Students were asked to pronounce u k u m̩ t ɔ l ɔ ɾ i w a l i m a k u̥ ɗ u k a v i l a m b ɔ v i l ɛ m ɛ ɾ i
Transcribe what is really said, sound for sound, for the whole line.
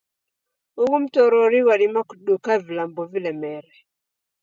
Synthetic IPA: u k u m̩ t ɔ ɾ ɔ ɾ i w a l i m a k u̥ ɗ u k a v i l a m b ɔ v i l ɛ m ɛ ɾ ɛ